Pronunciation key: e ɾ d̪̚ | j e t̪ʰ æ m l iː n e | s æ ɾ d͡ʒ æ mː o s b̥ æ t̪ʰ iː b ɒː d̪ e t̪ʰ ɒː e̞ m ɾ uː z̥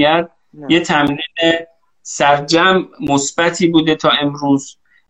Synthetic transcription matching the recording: æ ɾ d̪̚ | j e t̪ʰ æ m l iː n e | s æ ɾ d͡ʒ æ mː o s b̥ æ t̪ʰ iː b uː d̪ e t̪ʰ ɒː e̞ m ɾ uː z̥